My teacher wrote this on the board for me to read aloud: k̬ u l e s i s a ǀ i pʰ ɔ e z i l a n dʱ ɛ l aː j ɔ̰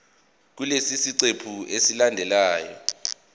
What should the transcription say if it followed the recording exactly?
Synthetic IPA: k̬ u l e s i s i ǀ e pʰ u e s i l a n dʱ ɛ l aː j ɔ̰